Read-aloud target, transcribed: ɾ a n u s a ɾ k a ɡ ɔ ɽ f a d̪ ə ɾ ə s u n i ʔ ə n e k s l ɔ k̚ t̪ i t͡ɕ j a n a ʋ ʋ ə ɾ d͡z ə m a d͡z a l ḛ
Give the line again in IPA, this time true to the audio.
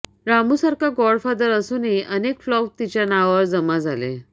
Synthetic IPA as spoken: ɾ a m u s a ɾ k a ɡ ɔ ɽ f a d̪ ə ɾ ə s u n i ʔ ə n e k f l ɔ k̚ t̪ i t͡ɕ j a n a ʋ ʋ ə ɾ d͡z ə m a d͡z a l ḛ